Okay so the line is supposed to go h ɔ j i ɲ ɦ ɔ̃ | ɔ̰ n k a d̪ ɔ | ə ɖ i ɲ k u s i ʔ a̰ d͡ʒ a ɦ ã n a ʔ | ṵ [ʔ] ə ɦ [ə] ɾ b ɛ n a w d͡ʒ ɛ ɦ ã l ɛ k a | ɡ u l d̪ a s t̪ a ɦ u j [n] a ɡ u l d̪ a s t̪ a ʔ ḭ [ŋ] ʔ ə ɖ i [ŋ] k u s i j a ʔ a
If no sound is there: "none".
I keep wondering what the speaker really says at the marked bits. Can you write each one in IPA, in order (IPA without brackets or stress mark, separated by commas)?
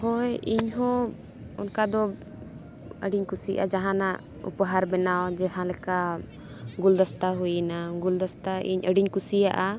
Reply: p, a, n, ɲ, ɲ